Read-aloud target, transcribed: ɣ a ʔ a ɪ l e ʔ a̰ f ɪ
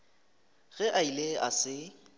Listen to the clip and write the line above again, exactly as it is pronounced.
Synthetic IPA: ɣ ɛ ʔ a i l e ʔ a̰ s ɪ